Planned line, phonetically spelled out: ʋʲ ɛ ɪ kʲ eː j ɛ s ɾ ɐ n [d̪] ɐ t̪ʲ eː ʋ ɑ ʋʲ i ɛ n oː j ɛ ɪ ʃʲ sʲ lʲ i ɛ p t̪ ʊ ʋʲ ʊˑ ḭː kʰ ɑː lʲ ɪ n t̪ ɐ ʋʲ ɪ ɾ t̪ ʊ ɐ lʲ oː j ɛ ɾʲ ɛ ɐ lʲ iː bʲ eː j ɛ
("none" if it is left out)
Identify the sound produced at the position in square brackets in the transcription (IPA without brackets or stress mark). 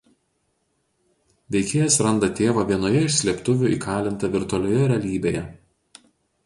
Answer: d̪